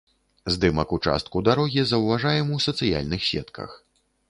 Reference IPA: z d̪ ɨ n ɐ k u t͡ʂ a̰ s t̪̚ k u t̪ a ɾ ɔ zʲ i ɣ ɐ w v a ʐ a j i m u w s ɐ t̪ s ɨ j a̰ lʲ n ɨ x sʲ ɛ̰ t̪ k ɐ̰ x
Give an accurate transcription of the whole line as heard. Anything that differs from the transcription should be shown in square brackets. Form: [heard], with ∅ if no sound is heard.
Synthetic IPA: z d̪ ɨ [m] ɐ k u t͡ʂ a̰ s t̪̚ k u [d̪] a ɾ ɔ [ɣʲ] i [z] ɐ w v a ʐ a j [ɛ] m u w s ɐ t̪ s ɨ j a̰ lʲ n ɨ x sʲ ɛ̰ t̪ k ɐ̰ x